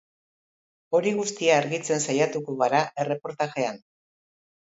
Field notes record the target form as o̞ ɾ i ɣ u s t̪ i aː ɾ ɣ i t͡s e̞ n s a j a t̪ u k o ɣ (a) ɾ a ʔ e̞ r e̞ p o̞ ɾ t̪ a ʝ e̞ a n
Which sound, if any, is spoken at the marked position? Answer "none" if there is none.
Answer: a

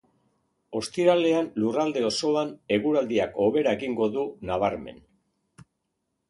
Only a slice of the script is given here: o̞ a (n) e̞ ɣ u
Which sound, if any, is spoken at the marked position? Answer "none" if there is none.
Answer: n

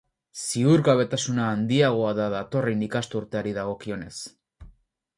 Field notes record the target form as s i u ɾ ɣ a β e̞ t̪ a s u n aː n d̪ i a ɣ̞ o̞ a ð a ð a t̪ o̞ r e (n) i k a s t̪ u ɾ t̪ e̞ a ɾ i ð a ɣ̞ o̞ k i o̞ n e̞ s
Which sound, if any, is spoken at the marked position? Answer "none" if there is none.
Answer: n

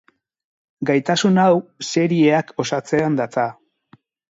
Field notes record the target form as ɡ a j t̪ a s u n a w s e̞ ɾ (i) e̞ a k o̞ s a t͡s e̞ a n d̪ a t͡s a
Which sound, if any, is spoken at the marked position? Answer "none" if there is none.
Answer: i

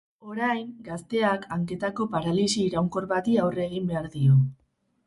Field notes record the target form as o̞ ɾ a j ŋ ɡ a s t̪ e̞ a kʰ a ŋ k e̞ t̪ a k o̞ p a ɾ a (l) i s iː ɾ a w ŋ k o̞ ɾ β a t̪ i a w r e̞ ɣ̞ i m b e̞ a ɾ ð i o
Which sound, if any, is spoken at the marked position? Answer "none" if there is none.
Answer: l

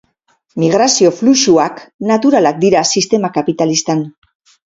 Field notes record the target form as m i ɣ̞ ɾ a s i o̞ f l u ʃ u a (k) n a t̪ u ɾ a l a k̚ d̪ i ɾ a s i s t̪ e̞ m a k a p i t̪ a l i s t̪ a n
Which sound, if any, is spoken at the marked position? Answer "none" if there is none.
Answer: k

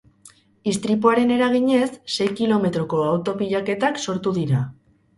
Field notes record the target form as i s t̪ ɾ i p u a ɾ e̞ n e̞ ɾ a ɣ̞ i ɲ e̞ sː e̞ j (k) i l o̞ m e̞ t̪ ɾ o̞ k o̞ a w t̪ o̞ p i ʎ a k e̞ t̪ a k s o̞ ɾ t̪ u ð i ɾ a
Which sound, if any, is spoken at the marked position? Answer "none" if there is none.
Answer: k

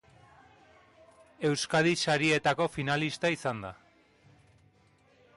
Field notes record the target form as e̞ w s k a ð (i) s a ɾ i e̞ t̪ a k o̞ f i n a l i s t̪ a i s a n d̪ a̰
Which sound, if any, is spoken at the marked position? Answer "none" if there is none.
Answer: i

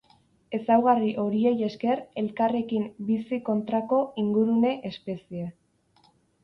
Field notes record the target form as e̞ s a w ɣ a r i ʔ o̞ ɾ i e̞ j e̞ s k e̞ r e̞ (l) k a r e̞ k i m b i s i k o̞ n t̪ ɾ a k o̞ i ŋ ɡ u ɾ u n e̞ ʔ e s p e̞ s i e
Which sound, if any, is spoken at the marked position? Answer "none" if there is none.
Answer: l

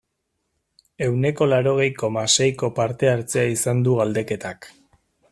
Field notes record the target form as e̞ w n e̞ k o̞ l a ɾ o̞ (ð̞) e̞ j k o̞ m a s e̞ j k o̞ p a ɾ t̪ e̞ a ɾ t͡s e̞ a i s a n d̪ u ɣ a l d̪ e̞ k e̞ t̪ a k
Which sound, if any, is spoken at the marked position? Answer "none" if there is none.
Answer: ɣ̞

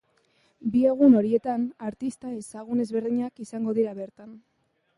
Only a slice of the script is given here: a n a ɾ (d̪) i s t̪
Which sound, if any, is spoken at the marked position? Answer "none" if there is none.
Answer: t̪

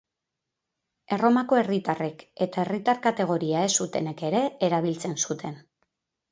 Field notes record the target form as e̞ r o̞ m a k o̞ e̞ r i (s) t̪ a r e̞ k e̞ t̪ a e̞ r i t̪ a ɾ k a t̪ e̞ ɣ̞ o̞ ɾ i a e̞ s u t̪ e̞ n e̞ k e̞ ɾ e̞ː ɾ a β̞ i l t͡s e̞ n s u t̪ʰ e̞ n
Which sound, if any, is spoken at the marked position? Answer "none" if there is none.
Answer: none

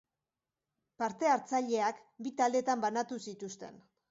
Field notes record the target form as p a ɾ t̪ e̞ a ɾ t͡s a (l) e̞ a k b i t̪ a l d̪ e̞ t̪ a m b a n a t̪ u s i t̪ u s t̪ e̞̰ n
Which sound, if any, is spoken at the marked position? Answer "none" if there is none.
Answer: ʎ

